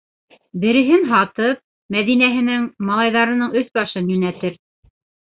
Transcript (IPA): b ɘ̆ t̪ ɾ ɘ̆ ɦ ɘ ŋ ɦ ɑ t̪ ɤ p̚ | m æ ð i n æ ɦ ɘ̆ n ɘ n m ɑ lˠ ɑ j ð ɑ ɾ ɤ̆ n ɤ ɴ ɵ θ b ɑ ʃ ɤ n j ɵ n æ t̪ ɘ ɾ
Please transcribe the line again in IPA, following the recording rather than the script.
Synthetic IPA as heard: b ɘ̆ ɾ ɘ̆ ɦ ɘ n ɦ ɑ t̪ ɤ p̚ | m æ ð i n æ ɦ ɘ̆ n ɘ ŋ m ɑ lˠ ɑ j ð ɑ ɾ ɤ̆ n ɤ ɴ ɵ θ b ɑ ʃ ɤ n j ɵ n æ t̪ ɘ ɾ